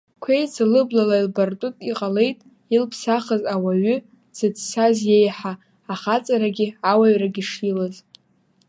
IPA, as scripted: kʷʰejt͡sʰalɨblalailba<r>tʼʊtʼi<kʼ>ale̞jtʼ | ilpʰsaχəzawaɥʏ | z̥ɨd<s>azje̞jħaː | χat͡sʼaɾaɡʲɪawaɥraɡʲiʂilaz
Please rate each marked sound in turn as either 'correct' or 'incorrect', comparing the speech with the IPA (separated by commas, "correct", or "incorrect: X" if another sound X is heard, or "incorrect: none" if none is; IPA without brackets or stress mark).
correct, incorrect: qʼ, correct